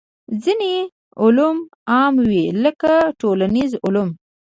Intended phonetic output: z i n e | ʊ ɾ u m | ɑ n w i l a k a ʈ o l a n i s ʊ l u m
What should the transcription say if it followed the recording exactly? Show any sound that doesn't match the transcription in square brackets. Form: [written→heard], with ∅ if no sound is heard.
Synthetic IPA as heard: z i n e | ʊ [ɾ→l] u m | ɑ [n→m] w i l [a→ə] k a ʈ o l a n i [s→z] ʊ l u m